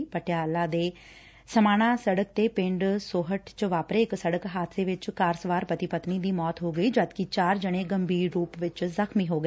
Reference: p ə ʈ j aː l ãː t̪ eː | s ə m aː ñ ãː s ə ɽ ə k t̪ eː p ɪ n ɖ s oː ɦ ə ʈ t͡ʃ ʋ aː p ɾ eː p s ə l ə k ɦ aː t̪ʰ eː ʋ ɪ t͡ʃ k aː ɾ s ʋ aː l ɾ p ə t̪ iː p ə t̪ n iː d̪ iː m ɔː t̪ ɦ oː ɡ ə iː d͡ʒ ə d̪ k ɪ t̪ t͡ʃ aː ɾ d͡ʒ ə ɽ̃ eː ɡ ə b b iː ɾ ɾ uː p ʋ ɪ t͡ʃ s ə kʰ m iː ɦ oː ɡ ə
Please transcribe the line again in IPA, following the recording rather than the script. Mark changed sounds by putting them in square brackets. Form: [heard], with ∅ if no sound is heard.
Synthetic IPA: p ə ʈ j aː l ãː [d̪] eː | s ə m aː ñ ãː s ə ɽ ə k t̪ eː p ɪ [ɳ] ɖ s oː ɦ ə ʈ t͡ʃ ʋ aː p ɾ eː [k] s ə [ɽ] ə k ɦ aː t̪ʰ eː ʋ ɪ t͡ʃ k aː ɾ s ʋ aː [∅] ɾ p ə t̪ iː p ə t̪ n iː d̪ iː m ɔː t̪ ɦ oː ɡ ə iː d͡ʒ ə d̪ k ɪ [∅] t͡ʃ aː ɾ d͡ʒ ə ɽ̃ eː ɡ ə [m] b iː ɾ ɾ uː p ʋ ɪ t͡ʃ [z] ə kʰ m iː ɦ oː ɡ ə